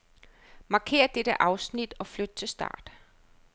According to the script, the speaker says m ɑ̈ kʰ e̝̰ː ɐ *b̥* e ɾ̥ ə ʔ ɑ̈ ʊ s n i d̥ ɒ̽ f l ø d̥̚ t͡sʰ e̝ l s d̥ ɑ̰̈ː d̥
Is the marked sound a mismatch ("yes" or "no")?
yes